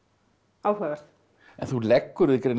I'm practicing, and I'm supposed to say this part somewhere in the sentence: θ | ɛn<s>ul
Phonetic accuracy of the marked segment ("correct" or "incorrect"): incorrect